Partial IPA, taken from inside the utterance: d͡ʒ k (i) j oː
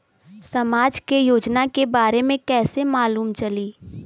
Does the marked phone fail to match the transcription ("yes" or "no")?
yes